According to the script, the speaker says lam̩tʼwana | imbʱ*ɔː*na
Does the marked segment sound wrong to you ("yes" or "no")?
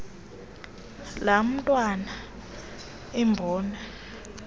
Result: no